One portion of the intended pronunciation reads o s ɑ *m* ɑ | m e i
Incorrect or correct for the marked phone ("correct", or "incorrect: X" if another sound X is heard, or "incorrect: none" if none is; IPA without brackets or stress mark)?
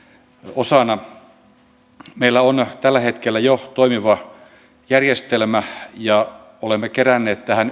incorrect: n